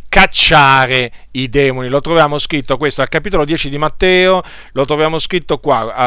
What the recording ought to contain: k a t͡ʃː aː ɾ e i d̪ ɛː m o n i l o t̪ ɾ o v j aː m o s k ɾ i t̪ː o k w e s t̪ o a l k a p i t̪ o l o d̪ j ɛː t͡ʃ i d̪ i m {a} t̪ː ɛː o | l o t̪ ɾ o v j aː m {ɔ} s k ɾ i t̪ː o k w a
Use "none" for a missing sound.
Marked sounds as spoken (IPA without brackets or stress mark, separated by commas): a, o